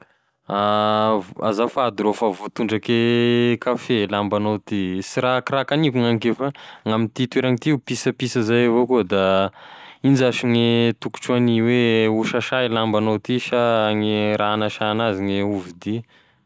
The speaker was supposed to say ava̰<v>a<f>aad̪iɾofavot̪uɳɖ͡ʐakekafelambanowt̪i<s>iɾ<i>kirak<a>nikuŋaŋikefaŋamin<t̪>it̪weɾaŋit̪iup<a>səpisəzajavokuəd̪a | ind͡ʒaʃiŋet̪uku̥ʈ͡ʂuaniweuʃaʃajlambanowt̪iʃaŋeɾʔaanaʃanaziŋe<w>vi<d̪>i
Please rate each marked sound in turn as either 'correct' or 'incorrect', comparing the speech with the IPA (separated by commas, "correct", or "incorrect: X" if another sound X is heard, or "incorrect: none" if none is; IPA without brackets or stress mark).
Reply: incorrect: z, correct, correct, incorrect: a, correct, correct, incorrect: i, incorrect: u, correct